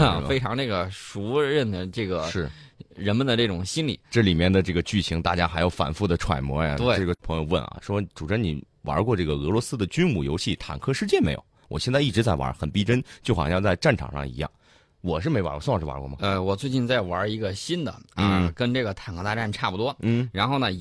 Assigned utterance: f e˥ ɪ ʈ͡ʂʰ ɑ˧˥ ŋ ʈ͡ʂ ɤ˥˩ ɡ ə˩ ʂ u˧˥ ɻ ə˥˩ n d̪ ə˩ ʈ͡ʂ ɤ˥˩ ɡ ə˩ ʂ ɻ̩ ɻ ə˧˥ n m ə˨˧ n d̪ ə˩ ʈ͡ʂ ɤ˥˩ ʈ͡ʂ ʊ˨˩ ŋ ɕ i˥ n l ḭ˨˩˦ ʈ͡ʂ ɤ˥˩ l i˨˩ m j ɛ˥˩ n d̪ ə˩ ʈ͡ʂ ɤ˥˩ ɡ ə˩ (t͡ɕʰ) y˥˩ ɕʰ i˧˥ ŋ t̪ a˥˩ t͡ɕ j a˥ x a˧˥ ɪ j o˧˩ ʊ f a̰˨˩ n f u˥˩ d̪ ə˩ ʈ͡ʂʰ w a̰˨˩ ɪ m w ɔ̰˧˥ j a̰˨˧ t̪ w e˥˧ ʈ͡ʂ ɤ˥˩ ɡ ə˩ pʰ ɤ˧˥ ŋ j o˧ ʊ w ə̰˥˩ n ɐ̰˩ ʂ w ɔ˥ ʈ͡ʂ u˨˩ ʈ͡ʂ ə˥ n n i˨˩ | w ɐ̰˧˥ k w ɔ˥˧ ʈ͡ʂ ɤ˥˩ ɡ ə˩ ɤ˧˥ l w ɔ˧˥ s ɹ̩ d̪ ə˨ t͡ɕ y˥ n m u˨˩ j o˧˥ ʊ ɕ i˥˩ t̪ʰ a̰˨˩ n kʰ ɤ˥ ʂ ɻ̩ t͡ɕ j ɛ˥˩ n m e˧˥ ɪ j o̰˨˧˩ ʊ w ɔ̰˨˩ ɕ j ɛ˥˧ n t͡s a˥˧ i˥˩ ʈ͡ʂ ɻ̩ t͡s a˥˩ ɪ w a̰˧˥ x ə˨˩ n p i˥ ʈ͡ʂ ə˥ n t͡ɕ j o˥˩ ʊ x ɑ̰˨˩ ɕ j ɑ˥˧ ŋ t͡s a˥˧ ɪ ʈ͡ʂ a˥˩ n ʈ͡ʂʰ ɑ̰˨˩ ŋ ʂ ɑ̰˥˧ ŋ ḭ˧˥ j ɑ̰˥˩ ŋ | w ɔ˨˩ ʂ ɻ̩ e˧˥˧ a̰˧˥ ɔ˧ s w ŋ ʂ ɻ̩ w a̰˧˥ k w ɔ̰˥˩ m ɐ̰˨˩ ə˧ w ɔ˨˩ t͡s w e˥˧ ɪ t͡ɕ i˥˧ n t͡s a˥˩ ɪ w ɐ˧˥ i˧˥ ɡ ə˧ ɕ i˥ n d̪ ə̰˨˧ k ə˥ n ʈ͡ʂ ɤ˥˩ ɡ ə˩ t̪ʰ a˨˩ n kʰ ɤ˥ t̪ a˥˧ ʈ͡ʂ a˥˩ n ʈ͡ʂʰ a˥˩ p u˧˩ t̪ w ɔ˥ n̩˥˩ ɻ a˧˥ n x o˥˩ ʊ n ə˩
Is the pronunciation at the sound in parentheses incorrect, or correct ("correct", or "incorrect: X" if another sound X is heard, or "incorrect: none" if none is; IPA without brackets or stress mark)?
incorrect: t͡ɕ